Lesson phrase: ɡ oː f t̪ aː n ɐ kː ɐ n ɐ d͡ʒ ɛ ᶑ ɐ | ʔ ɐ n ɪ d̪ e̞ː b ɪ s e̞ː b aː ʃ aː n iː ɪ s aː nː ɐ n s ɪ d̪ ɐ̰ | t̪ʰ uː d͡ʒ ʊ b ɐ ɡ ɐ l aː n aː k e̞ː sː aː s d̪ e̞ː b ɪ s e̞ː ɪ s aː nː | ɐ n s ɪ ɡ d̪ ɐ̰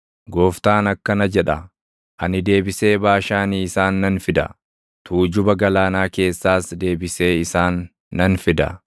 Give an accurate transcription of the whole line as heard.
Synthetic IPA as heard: ɡ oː f t̪ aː n ɐ kː ɐ n ɐ d͡ʒ ɛ ᶑ ɐ | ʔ ɐ n ɪ d̪ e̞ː b ɪ s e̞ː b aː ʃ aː n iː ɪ s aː nː ɐ n f ɪ d̪ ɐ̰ | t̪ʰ uː d͡ʒ ʊ b ɐ ɡ ɐ l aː n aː k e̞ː sː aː s d̪ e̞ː b ɪ s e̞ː ɪ s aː nː | ɐ n f ɪ d̪ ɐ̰